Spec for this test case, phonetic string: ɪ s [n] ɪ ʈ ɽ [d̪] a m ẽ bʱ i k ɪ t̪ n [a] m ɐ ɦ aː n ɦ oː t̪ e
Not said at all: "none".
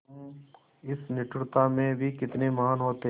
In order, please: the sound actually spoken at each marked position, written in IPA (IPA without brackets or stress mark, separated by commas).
n, t̪, e